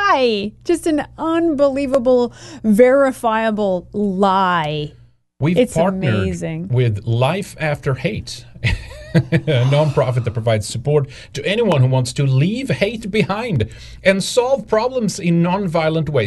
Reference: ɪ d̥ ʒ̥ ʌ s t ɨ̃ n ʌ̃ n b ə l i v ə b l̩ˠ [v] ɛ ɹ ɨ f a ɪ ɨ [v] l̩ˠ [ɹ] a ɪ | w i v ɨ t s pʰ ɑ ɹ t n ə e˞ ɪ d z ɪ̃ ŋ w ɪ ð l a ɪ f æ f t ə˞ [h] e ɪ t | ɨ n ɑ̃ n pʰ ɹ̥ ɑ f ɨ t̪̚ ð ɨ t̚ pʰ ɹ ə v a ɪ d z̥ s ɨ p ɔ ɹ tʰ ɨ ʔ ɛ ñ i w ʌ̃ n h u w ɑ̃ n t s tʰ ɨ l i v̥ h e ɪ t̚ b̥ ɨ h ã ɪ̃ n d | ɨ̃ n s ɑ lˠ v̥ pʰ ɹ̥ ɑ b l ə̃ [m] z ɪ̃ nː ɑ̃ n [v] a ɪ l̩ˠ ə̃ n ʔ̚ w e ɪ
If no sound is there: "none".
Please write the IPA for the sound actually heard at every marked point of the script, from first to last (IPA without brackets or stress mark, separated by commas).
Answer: v, b, l, h, m, v